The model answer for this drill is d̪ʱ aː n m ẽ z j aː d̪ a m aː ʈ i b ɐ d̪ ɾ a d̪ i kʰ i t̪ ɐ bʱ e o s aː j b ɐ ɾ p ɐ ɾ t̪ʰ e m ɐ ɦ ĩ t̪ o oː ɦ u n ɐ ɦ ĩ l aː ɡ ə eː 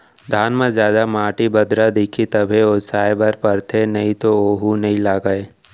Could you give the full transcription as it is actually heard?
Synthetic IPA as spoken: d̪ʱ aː n m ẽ z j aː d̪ a m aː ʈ i b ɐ d̪ ɾ a d̪ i kʰ i t̪ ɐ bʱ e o s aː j b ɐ ɾ p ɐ ɾ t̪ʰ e n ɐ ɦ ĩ t̪ o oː ɦ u n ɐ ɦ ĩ l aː ɡ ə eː